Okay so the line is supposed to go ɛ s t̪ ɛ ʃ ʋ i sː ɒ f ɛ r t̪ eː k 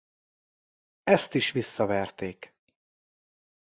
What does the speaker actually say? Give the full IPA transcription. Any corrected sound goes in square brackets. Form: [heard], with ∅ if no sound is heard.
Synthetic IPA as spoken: ɛ s t̪ [i] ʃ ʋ i sː ɒ [v] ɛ r t̪ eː k